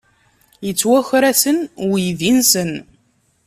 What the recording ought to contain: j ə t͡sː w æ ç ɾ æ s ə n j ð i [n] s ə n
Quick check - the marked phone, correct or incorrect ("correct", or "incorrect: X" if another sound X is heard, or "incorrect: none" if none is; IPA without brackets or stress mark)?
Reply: correct